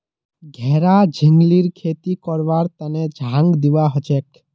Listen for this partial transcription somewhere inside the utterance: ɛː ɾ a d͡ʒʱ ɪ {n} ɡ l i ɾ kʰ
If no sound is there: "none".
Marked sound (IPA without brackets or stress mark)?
ŋ